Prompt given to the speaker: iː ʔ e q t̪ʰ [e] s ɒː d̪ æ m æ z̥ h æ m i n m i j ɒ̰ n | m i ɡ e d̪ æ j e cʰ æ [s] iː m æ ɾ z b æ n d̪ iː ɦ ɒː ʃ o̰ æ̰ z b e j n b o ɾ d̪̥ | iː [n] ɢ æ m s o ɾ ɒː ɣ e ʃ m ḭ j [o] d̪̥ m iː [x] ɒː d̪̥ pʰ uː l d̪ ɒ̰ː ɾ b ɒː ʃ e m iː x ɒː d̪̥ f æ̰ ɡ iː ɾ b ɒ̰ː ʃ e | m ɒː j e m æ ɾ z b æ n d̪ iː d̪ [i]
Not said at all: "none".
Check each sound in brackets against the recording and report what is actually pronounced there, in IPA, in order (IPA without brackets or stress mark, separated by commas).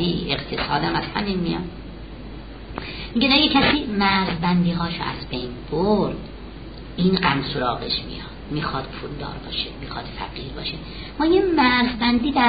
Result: e, s, n, ɒ, x, æ